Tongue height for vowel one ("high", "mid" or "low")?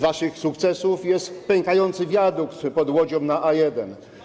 low